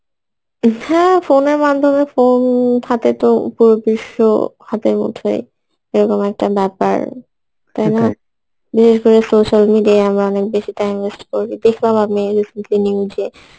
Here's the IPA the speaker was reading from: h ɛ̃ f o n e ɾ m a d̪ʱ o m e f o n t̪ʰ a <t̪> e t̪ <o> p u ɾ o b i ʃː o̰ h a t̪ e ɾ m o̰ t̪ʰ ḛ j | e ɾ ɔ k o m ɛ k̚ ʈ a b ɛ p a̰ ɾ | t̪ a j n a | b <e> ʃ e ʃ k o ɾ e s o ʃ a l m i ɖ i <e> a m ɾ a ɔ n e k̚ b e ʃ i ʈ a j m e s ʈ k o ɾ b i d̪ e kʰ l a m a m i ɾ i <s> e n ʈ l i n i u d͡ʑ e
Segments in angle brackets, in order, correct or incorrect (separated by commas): correct, correct, incorrect, incorrect, correct